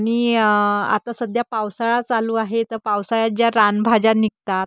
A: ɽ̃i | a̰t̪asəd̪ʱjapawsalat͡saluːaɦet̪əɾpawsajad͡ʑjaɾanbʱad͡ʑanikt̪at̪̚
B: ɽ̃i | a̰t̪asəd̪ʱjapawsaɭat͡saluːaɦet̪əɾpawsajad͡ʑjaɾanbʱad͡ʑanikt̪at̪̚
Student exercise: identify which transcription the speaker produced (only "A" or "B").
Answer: B